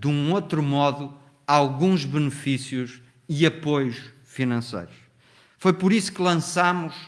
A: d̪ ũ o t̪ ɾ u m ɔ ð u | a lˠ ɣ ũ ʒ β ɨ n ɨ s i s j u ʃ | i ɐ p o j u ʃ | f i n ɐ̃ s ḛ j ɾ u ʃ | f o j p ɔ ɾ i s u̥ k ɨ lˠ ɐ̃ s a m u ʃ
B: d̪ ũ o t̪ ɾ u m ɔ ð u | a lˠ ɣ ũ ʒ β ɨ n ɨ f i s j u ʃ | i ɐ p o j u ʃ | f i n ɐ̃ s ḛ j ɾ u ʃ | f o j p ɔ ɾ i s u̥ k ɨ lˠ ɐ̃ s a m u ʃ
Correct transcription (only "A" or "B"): B